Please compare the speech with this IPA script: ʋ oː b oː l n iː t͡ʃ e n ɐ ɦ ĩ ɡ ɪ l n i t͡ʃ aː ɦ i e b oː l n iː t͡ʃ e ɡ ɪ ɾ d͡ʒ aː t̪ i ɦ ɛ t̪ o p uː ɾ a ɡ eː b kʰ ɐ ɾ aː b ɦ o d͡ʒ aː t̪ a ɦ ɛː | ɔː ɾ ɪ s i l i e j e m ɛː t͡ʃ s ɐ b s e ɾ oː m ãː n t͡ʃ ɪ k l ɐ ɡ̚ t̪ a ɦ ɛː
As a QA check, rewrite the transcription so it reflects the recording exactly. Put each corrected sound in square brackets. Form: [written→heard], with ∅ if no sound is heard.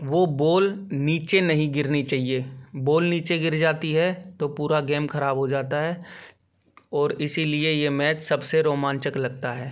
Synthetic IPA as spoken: ʋ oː b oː l n iː t͡ʃ e n ɐ ɦ ĩ ɡ ɪ [l→ɾ] n i t͡ʃ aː ɦ i e b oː l n iː t͡ʃ e ɡ ɪ ɾ d͡ʒ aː t̪ i ɦ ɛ t̪ o p uː ɾ a ɡ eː [b→m] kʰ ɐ ɾ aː b ɦ o d͡ʒ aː t̪ a ɦ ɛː | ɔː ɾ ɪ s i l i e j e m ɛː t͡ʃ s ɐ b s e ɾ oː m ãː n t͡ʃ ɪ k l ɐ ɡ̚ t̪ a ɦ ɛː

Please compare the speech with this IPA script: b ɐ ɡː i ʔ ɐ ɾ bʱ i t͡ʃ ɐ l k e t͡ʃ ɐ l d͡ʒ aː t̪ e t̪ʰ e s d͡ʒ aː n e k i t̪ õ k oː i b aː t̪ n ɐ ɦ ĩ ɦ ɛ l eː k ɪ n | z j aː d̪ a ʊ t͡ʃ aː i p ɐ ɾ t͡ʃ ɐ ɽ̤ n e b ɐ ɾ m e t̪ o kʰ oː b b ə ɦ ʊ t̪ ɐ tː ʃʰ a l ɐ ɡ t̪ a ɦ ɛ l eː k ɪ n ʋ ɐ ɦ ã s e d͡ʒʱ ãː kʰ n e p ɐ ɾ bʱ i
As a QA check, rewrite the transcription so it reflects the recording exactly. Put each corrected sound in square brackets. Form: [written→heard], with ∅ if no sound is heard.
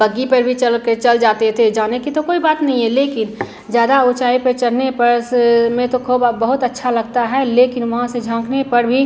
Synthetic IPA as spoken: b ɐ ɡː i [ʔ→p] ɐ ɾ bʱ i t͡ʃ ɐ l k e t͡ʃ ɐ l d͡ʒ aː t̪ e t̪ʰ e [s→∅] d͡ʒ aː n e k i t̪ [õ→o] k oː i b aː t̪ n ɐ ɦ ĩ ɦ ɛ l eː k ɪ n | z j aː d̪ a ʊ t͡ʃ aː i p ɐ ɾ t͡ʃ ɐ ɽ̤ n e [b→p] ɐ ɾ m [e→ẽ] t̪ o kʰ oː b b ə ɦ ʊ t̪ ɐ tː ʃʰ a l ɐ ɡ t̪ a ɦ ɛ l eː k ɪ n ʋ ɐ ɦ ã s e d͡ʒʱ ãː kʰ n e p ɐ ɾ bʱ i

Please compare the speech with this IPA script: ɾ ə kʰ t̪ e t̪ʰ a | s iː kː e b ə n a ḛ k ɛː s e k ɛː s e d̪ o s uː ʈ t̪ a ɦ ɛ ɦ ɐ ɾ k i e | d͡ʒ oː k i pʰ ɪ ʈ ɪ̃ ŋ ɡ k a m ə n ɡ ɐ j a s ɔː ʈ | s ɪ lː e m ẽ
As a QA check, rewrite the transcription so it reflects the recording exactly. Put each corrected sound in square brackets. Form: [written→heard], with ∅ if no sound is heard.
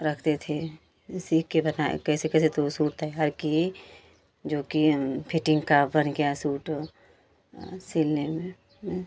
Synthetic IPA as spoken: ɾ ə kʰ t̪ e t̪ʰ [a→e] | s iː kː e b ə n a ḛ k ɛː s e k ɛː s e [d̪→t̪] o s uː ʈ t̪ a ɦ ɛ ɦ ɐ ɾ k i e | d͡ʒ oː k i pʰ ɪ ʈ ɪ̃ ŋ ɡ k a [m→b] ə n ɡ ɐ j a s [ɔː→uː] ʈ | s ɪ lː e m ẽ

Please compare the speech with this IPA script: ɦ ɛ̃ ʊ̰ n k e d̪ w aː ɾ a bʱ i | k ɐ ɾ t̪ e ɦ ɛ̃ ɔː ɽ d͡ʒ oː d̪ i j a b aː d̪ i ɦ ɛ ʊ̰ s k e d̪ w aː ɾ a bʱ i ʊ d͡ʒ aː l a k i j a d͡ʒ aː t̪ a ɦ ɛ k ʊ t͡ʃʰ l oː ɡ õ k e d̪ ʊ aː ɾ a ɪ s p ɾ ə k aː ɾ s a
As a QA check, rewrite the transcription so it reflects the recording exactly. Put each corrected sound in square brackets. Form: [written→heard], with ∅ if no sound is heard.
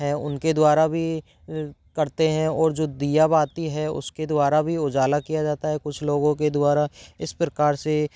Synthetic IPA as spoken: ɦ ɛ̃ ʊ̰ n k e d̪ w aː ɾ a bʱ i | k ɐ ɾ t̪ e ɦ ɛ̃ ɔː [ɽ→ɾ] d͡ʒ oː d̪ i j a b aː [d̪→t̪] i ɦ ɛ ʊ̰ s k e d̪ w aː ɾ a bʱ i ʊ d͡ʒ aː l a k i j a d͡ʒ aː t̪ a ɦ ɛ k ʊ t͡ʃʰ l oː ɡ õ k e d̪ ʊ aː ɾ a ɪ s p ɾ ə k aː ɾ s [a→e]

